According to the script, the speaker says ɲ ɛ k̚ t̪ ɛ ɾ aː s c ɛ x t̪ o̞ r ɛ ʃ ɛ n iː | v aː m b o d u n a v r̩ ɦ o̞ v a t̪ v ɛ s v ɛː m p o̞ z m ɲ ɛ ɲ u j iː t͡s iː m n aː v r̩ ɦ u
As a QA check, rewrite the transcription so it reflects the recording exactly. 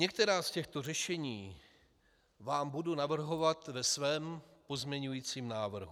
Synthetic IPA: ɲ ɛ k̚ t̪ ɛ ɾ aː s c ɛ x t̪ o̞ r ɛ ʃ ɛ ɲ iː | v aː m b u d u n a v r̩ ɦ o̞ v a t̪ v ɛ s v ɛː m p o̞ z m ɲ ɛ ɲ u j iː t͡s iː m n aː v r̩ ɦ u